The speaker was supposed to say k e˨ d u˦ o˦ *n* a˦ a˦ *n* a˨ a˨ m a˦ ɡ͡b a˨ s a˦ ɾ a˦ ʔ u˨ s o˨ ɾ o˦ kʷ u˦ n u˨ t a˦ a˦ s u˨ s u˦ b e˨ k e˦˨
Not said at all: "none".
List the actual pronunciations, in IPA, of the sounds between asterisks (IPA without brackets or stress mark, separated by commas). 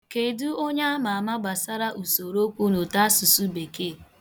ɲ, m